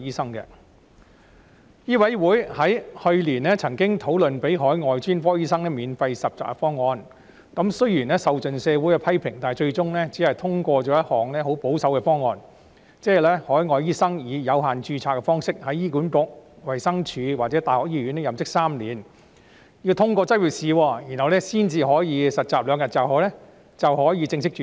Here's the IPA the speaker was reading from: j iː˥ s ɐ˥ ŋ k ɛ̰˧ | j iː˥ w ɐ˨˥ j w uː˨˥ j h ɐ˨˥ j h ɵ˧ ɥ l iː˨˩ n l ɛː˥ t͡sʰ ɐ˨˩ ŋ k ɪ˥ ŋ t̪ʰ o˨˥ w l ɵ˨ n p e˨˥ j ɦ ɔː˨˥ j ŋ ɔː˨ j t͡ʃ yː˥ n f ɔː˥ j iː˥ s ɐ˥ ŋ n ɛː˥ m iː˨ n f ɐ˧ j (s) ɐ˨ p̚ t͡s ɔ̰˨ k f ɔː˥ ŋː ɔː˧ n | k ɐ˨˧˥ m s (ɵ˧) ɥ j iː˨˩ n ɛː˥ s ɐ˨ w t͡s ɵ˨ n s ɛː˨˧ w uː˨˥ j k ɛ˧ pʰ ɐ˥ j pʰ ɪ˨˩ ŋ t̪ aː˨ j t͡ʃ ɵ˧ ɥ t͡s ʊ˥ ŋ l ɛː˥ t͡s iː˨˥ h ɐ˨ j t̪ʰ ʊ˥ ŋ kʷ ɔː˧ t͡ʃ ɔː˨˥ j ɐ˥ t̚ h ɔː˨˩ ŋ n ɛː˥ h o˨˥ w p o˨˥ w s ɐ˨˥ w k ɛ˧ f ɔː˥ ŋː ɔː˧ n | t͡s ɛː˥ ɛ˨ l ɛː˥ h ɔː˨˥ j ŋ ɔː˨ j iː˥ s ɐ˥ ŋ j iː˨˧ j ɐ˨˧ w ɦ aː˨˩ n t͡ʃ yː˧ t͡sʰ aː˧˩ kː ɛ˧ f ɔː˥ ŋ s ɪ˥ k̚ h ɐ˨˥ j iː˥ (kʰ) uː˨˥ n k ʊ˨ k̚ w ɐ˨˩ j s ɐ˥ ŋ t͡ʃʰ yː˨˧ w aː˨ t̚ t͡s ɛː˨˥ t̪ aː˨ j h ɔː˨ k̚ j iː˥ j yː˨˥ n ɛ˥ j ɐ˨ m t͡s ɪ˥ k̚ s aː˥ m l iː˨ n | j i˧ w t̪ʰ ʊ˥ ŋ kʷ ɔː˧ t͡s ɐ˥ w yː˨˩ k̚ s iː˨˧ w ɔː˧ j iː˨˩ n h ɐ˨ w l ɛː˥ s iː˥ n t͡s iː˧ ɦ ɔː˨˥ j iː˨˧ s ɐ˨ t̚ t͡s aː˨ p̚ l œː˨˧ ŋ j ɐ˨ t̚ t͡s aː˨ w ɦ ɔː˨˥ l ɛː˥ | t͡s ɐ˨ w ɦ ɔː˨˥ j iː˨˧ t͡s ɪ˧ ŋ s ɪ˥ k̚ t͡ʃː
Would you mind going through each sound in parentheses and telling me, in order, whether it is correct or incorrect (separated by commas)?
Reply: correct, incorrect, incorrect